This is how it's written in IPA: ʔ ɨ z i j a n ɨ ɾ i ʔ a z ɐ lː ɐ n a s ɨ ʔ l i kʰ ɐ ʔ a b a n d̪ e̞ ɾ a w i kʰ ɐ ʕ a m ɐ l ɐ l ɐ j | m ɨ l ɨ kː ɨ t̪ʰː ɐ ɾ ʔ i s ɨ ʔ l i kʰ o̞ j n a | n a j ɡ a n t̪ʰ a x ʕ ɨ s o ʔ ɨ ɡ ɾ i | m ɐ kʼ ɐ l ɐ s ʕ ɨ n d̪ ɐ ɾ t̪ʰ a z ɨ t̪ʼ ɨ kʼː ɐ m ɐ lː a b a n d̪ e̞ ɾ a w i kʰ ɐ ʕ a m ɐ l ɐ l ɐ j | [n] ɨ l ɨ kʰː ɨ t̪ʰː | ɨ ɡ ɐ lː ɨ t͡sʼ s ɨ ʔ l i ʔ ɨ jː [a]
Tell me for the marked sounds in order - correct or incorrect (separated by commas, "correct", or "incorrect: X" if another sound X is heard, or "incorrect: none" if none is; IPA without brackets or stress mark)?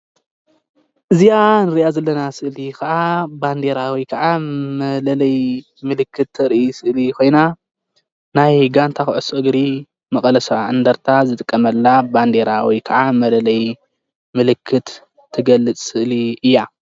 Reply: incorrect: m, correct